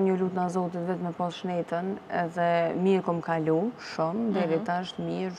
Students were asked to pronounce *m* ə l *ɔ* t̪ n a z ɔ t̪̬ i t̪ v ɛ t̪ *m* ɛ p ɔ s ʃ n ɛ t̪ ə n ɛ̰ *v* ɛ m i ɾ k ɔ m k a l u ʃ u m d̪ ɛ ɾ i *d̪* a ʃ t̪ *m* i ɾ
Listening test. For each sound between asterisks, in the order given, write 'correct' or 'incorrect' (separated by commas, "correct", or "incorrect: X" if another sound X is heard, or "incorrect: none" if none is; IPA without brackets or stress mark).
incorrect: ɲ, incorrect: u, correct, incorrect: ð, incorrect: t̪, correct